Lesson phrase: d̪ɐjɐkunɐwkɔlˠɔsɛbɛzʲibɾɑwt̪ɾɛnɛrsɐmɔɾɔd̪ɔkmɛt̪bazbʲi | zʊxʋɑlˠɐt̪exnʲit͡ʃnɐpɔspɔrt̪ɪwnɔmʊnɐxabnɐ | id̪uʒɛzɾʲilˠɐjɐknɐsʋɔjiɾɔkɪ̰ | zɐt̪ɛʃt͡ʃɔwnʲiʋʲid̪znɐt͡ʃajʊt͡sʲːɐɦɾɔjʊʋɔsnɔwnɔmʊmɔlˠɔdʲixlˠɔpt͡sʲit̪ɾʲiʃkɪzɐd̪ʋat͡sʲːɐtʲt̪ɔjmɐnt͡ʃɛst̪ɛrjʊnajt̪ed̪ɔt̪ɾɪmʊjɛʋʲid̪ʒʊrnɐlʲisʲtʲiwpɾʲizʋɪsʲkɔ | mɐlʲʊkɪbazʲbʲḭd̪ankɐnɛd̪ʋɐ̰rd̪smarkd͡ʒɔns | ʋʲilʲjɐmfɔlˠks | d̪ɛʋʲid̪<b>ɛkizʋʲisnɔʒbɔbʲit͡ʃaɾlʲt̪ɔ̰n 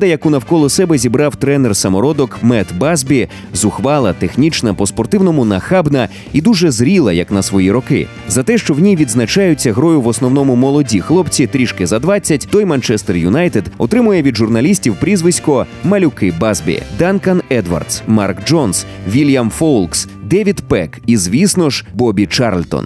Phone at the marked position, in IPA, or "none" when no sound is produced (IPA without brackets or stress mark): p